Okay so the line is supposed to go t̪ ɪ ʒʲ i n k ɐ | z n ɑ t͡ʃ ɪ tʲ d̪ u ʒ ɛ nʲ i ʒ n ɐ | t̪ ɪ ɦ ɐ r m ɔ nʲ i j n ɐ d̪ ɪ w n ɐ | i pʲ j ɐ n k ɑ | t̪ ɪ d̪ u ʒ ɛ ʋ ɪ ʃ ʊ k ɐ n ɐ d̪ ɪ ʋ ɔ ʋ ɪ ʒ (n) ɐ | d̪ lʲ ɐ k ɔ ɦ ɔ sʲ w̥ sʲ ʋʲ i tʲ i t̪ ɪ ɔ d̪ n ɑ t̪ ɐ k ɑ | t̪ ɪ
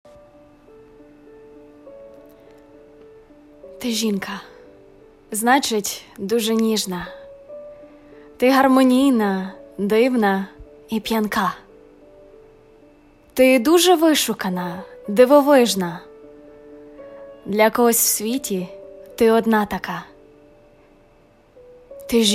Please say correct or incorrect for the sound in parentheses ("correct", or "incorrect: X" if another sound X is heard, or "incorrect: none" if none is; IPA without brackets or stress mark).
correct